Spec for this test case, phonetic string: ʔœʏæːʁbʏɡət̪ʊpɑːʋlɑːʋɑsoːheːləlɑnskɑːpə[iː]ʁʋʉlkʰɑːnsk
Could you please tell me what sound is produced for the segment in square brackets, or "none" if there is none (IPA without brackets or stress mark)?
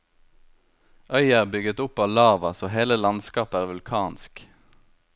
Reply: æː